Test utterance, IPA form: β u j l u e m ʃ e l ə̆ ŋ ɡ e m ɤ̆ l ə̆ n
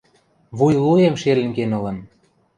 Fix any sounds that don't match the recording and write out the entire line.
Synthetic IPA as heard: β u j l u e m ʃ e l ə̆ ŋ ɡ e n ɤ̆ l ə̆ n